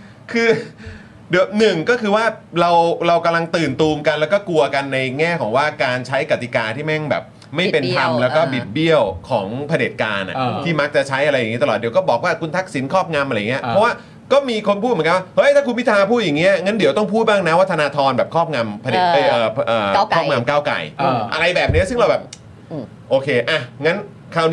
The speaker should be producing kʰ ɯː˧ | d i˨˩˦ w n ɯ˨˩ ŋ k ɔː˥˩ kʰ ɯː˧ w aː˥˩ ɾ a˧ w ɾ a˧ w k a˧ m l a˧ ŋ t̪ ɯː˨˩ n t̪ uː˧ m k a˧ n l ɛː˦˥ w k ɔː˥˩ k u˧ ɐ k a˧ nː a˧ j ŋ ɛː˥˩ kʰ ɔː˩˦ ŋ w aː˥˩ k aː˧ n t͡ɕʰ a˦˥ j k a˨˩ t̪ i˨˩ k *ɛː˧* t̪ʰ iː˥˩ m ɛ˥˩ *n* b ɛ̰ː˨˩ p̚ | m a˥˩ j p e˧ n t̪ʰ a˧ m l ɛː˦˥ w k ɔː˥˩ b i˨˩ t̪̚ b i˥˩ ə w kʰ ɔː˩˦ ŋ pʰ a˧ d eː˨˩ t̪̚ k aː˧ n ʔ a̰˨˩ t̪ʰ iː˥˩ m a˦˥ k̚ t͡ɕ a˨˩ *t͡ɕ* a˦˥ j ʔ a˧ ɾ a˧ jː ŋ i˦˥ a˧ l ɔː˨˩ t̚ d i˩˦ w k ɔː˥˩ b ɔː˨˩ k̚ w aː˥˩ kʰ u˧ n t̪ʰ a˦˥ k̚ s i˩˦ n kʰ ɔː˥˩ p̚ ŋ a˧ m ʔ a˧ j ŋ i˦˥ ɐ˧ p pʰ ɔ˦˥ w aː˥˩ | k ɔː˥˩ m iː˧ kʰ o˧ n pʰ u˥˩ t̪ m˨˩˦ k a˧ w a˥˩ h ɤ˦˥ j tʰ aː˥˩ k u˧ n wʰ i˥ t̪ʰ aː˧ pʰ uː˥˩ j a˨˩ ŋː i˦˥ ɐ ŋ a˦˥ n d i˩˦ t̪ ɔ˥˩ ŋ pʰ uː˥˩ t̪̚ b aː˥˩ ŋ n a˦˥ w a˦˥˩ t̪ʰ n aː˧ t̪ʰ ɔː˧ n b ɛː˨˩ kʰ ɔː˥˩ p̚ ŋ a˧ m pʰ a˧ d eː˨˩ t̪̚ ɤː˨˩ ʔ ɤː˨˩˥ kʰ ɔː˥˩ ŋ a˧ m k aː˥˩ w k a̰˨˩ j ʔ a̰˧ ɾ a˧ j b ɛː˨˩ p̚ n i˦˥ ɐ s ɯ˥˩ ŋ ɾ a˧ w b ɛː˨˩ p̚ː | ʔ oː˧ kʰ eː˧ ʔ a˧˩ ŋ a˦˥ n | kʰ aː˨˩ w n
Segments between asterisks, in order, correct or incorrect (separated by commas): incorrect, incorrect, incorrect